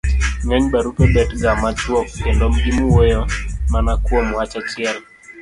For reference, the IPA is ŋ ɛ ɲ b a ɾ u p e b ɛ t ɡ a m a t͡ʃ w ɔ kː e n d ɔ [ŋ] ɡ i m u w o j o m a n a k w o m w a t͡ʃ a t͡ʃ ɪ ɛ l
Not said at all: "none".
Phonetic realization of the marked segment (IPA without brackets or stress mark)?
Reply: m